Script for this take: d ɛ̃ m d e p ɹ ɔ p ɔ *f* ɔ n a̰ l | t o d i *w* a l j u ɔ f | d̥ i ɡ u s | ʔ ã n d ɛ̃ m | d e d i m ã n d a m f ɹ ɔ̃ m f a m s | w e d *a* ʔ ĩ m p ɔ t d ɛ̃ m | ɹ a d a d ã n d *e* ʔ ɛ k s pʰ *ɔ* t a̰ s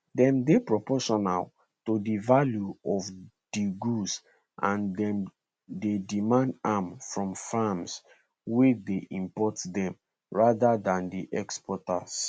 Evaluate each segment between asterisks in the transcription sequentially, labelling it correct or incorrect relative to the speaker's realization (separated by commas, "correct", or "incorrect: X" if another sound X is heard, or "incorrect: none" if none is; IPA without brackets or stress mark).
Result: incorrect: ʃ, incorrect: v, incorrect: e, incorrect: i, correct